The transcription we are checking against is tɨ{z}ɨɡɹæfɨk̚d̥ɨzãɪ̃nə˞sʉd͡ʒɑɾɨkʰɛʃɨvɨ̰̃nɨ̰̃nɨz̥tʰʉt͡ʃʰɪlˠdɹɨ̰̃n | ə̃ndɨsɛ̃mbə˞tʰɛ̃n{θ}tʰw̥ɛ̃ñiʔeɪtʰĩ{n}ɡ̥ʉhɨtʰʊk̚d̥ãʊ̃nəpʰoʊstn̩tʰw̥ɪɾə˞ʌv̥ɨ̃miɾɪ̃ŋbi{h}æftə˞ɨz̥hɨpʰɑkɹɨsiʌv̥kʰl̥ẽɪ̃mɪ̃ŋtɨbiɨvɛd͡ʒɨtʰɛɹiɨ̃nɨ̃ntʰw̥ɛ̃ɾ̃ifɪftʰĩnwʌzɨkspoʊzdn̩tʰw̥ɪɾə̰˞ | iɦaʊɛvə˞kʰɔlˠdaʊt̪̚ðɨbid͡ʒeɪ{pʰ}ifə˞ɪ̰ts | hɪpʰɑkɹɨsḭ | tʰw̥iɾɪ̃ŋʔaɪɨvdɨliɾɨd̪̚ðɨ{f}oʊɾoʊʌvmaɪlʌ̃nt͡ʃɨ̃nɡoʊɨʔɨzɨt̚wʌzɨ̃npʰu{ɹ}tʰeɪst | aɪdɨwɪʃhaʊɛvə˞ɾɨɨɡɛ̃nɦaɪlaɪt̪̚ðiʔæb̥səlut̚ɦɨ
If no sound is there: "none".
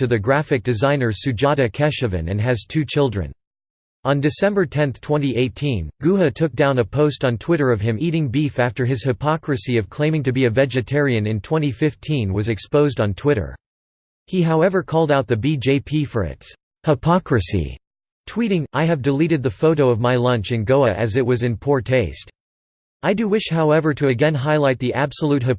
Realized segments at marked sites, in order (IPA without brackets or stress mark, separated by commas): ð, θ, n, f, pʰ, f, ɹ